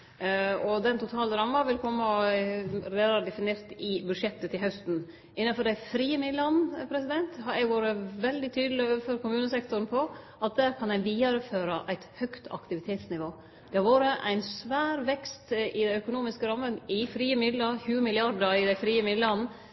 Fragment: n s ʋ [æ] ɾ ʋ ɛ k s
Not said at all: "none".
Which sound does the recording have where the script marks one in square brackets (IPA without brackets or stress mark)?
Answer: æː